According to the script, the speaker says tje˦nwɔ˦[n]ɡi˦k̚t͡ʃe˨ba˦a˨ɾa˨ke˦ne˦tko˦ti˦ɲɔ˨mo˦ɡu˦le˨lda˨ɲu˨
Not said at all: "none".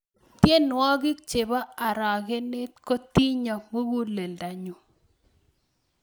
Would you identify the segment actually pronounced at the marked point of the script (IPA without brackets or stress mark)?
none